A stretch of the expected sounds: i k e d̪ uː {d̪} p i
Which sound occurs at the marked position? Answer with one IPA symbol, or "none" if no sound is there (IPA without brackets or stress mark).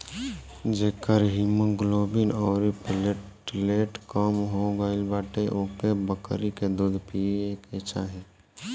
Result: d̪